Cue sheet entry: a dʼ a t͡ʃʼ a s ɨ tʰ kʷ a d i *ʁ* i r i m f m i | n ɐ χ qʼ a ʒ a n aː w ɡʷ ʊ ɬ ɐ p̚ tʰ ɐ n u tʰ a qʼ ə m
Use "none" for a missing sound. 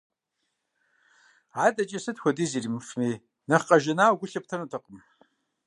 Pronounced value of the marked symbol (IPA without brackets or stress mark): z